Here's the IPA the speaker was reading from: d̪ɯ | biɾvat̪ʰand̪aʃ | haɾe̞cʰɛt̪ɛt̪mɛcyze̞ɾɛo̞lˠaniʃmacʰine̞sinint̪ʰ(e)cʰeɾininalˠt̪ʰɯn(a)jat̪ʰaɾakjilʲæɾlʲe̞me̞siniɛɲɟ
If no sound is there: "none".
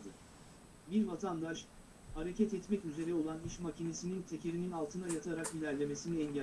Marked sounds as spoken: e, a

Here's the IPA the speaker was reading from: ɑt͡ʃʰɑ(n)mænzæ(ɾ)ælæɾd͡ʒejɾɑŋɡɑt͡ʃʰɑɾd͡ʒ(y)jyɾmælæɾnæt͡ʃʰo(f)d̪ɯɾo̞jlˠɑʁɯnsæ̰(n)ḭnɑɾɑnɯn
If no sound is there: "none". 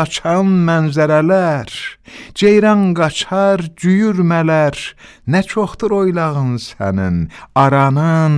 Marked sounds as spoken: n, ɾ, y, χ, n

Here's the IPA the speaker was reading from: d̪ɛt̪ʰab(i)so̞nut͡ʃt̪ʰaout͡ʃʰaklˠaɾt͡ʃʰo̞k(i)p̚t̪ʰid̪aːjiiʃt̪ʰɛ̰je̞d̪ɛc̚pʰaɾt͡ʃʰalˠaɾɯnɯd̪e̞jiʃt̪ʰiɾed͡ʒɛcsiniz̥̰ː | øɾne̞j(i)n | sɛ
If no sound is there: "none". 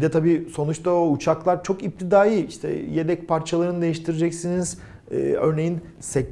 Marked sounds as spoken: iː, i, i

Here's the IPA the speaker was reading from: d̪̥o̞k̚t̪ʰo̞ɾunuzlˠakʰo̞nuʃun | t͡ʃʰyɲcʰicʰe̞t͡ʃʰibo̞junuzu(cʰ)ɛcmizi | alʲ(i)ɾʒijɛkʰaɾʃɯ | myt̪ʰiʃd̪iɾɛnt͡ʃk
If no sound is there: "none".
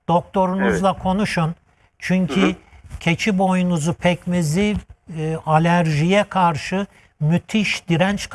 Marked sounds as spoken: pʰ, æ

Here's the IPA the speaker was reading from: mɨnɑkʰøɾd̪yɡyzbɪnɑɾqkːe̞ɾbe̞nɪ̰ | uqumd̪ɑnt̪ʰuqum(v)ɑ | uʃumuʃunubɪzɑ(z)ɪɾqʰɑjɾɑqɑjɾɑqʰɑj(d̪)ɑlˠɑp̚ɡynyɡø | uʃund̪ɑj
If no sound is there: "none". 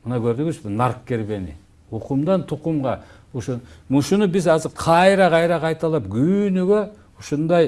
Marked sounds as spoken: ʁ, z, t̪

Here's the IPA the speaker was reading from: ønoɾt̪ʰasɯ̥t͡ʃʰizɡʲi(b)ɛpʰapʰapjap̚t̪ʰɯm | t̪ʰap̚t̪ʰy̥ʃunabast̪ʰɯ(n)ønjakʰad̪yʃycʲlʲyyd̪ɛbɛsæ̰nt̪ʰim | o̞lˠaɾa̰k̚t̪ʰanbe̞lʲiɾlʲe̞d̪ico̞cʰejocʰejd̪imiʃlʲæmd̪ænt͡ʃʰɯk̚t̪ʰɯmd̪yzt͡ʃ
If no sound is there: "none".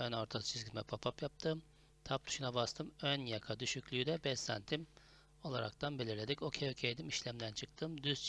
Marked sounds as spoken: m, m

